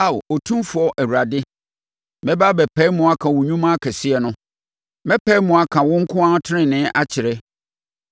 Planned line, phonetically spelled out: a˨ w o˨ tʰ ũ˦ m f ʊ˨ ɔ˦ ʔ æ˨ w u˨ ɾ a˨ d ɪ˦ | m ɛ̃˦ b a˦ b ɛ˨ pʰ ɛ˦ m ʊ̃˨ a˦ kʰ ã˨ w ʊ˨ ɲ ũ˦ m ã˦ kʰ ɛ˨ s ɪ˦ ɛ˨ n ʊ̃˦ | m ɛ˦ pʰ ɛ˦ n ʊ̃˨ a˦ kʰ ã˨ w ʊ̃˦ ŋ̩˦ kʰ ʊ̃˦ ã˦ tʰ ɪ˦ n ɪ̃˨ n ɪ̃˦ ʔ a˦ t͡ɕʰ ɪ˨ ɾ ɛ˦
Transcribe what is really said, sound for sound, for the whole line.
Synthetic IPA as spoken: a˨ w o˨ tʰ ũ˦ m f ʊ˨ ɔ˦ ʔ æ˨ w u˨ ɾ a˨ d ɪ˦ | m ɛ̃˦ b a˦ b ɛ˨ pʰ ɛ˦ m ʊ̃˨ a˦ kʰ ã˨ w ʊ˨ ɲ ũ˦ m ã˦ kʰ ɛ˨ s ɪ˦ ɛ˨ n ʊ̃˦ | m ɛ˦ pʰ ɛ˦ m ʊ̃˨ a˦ kʰ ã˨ w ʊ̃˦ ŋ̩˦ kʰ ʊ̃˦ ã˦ tʰ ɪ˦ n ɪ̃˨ n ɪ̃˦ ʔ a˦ t͡ɕʰ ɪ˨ ɾ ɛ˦